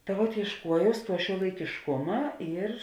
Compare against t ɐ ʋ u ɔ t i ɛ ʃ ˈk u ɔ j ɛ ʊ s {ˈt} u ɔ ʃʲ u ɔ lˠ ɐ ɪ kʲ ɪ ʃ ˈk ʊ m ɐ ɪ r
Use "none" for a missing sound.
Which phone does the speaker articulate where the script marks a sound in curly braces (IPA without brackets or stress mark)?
t